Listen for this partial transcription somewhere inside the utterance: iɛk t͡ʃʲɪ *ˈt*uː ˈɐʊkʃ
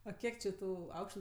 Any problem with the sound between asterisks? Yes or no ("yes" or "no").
no